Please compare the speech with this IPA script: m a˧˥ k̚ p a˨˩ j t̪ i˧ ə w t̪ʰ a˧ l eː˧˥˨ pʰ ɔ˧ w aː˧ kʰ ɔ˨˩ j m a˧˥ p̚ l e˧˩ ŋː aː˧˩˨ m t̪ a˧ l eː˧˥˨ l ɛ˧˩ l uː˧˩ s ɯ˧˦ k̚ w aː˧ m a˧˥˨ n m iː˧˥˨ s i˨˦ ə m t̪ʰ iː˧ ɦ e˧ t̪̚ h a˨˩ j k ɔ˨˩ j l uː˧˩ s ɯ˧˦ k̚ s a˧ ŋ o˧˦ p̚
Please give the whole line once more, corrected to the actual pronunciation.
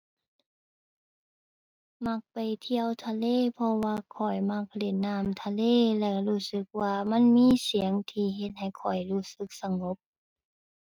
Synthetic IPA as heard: m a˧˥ k̚ p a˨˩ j t̪ʰ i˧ ə w t̪ʰ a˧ l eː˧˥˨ pʰ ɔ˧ w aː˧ kʰ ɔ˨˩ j m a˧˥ k̚ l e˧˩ nː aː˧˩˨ m t̪ʰ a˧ l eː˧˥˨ l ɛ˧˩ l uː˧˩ s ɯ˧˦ k̚ w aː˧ m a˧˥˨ n m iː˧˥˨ s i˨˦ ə ŋ t̪ʰ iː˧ ɦ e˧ t̪̚ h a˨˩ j kʰ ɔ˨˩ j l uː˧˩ s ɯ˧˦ k̚ s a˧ ŋ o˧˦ p̚